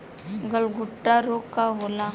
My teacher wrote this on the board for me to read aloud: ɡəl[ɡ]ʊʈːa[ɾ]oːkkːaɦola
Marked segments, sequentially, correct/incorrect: correct, correct

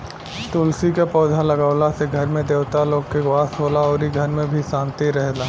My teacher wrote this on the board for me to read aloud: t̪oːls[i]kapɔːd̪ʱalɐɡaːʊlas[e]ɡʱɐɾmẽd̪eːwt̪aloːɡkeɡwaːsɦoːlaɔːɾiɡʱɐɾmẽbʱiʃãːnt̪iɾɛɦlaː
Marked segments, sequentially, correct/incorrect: correct, correct

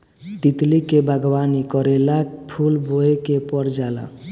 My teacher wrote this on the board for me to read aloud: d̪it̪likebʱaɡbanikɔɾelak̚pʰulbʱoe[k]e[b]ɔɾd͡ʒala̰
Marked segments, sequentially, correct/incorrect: correct, incorrect: p

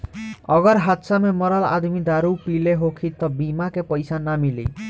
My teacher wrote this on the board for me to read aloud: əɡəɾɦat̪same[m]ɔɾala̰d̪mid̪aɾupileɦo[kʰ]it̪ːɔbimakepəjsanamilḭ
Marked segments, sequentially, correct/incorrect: correct, correct

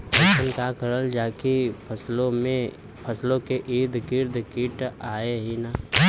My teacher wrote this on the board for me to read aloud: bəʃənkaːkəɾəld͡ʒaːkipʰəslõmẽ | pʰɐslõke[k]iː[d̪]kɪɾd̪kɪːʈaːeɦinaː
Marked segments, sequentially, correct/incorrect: incorrect: ʔ, correct

